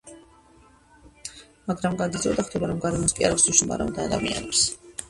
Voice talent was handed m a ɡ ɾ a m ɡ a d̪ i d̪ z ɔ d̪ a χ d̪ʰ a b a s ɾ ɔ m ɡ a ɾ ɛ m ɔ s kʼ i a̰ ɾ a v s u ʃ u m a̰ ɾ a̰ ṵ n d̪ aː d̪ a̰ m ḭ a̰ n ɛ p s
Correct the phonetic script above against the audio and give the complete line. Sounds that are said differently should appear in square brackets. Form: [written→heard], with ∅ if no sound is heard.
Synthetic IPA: m a ɡ ɾ a m ɡ a d̪ i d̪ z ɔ d̪ a χ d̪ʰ [a→ɛ] b a [s→∅] ɾ ɔ m ɡ a ɾ ɛ m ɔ s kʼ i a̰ ɾ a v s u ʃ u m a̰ ɾ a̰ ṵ n d̪ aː d̪ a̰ m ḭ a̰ n ɛ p s